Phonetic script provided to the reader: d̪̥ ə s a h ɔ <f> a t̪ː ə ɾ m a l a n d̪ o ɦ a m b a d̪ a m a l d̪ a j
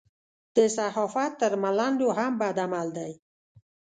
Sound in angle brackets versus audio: correct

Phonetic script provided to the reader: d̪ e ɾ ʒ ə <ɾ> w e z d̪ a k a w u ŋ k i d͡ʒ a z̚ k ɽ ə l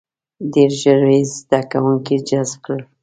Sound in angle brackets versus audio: correct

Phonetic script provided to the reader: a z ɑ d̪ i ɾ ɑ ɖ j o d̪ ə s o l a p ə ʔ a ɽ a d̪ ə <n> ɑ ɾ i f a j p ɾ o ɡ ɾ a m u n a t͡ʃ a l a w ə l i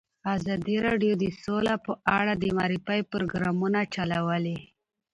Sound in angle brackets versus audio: incorrect: m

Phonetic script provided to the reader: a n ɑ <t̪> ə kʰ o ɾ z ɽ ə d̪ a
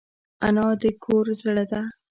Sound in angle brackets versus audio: incorrect: d̪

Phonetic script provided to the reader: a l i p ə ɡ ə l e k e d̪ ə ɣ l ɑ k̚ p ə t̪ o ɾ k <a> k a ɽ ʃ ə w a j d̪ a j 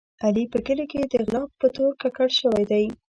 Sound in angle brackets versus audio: correct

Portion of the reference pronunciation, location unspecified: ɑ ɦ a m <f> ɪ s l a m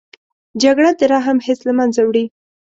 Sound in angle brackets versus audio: incorrect: h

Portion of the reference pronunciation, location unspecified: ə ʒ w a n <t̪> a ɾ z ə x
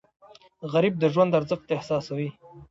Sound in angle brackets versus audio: incorrect: d̪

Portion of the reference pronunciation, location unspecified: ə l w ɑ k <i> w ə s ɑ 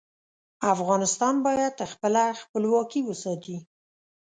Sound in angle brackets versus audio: correct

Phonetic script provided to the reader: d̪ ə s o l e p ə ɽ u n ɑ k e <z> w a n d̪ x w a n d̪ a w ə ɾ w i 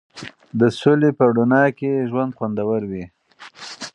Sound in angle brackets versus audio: incorrect: ʒ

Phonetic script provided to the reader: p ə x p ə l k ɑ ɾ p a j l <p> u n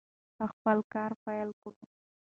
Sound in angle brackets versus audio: incorrect: k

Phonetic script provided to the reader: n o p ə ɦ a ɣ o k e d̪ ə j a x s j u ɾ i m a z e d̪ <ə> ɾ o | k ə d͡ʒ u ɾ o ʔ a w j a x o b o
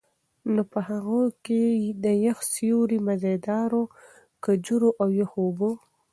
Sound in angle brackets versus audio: incorrect: ɑ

